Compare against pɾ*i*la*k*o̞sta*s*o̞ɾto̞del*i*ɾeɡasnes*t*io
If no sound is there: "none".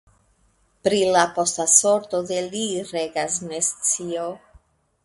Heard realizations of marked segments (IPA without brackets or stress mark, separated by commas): i, p, s, i, t͡s